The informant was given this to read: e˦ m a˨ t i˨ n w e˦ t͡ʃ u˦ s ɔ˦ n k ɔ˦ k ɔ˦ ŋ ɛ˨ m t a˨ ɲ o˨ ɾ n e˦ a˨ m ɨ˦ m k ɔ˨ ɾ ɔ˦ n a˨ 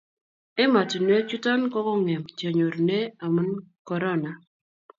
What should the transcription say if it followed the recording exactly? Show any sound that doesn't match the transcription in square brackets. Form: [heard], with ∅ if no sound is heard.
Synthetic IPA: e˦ m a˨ t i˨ n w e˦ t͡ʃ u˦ [t] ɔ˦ n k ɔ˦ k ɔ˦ ŋ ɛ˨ m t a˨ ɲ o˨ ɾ n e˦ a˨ m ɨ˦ [n] k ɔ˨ ɾ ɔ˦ n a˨